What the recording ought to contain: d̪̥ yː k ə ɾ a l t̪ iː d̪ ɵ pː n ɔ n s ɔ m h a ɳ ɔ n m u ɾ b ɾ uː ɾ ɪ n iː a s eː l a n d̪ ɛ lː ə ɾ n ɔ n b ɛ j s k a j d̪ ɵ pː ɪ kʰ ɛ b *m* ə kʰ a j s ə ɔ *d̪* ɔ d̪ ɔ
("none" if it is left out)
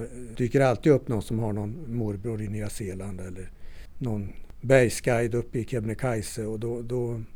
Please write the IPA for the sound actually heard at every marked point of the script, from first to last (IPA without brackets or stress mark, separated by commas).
n, d̪